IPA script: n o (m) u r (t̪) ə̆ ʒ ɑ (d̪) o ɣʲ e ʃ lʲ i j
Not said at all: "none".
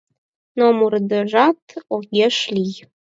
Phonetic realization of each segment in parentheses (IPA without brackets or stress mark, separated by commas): m, d̪, t̪